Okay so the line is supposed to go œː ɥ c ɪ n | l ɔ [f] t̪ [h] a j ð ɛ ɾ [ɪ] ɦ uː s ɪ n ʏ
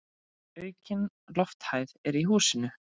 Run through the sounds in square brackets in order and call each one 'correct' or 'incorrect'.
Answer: correct, correct, incorrect: i

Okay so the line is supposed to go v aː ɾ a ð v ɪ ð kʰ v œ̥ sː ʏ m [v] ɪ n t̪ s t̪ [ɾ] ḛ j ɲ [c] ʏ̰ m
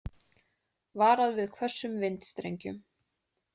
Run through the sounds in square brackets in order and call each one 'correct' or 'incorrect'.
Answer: correct, correct, correct

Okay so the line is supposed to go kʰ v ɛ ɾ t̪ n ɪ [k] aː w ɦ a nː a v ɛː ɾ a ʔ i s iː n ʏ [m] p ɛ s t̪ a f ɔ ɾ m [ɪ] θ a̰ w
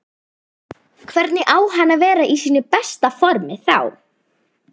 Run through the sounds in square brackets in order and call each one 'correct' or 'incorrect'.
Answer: incorrect: ʔ, incorrect: none, correct

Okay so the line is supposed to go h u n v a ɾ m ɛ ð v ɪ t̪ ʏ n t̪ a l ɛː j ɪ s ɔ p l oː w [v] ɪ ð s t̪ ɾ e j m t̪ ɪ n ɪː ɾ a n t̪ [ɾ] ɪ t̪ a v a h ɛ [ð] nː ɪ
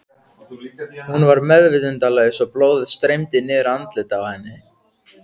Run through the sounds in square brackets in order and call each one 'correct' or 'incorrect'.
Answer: incorrect: ð, incorrect: l, incorrect: none

